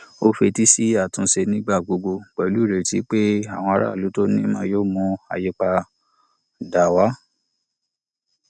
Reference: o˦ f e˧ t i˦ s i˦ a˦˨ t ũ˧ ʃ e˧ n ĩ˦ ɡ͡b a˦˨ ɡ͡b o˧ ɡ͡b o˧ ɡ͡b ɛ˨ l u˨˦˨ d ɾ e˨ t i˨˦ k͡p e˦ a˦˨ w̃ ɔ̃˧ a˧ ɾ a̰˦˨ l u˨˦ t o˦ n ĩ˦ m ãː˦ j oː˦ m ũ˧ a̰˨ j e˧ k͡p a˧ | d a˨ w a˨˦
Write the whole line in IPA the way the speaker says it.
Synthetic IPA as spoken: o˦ f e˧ t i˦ s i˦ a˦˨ t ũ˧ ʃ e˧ n ĩ˦ ɡ͡b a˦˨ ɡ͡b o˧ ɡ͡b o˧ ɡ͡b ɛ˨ l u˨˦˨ ɾ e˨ t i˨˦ k͡p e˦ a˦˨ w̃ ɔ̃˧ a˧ ɾ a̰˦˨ l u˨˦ t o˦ n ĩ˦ m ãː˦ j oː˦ m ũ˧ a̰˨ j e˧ k͡p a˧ | d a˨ w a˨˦